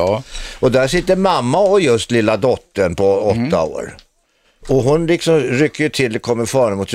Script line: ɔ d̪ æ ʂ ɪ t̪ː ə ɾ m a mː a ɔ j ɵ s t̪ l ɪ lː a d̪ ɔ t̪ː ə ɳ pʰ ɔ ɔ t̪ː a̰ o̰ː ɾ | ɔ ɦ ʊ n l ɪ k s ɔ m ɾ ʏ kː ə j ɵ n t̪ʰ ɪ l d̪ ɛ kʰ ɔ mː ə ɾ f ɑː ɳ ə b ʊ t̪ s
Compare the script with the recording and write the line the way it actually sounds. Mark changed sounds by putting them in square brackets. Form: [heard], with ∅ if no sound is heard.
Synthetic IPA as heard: ɔ d̪ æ ʂ ɪ t̪ː ə ɾ m a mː a ɔ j ɵ s t̪ l ɪ lː a d̪ ɔ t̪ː ə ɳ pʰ ɔ ɔ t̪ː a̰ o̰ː ɾ | ɔ ɦ ʊ n l ɪ k s ɔ m ɾ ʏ kː ə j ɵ [∅] t̪ʰ ɪ l d̪ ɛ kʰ ɔ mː ə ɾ f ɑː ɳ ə [m] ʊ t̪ s